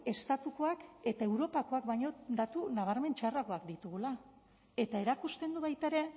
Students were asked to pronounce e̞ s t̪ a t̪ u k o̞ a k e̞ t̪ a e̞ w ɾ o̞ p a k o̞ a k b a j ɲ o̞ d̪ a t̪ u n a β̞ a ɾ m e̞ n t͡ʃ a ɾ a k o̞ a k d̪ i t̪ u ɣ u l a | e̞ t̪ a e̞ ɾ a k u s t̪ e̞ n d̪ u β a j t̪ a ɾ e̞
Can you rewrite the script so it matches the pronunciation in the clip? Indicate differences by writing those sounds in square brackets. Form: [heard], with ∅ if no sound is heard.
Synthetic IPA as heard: e̞ s t̪ a t̪ u k o̞ a k e̞ t̪ a e̞ w ɾ o̞ p a k o̞ a k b a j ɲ o̞ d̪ a t̪ u n a β̞ a ɾ m e̞ n t͡ʃ a [r] a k o̞ a k d̪ i t̪ u ɣ u l a | e̞ t̪ a e̞ ɾ a k u s t̪ e̞ n d̪ u β a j t̪ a ɾ e̞